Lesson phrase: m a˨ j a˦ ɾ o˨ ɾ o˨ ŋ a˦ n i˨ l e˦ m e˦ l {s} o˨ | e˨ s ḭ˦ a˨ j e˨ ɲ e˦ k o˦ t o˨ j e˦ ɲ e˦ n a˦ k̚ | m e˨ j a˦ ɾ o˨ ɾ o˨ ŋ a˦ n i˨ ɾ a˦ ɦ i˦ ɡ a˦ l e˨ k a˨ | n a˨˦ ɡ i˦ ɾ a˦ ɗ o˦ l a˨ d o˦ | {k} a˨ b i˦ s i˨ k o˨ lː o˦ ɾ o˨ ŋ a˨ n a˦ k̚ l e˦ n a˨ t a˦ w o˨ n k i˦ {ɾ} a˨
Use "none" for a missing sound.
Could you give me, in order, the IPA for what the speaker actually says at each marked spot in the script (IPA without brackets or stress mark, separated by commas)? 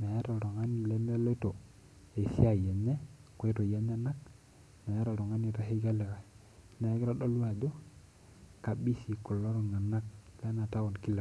t, k, l